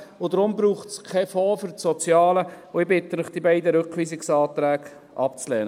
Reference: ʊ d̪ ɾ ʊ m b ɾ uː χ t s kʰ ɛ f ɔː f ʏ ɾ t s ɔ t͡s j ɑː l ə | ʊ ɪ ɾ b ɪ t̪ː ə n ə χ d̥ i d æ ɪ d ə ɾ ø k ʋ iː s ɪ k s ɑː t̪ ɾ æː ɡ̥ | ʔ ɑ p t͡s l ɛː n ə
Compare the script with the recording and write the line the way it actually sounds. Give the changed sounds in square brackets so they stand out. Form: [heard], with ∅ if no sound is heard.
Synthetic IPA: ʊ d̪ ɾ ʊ m b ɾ uː χ t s kʰ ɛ f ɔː f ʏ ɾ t s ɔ t͡s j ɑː l ə | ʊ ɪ [∅] b ɪ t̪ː ə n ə χ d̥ i [b] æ ɪ d ə ɾ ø k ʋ iː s ɪ k s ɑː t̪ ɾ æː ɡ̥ | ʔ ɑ p t͡s l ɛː n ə